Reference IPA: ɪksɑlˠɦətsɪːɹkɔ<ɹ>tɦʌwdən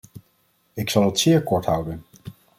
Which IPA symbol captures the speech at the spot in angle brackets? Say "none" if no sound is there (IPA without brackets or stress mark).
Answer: ɹ